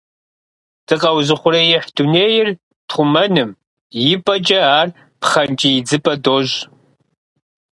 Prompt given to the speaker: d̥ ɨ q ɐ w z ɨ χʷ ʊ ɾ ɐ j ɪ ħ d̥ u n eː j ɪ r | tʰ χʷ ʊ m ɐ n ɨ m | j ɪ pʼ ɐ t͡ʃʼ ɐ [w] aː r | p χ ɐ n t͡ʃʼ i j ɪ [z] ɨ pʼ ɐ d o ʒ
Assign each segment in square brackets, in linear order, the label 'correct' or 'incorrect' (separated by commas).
incorrect, incorrect